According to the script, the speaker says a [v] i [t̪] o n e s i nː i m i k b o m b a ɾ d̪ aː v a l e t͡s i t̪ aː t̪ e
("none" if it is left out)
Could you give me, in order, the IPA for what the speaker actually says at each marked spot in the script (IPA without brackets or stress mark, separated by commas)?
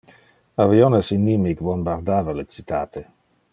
v, none